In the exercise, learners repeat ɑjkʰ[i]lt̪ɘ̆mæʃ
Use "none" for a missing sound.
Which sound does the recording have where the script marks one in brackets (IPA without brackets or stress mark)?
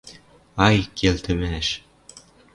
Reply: e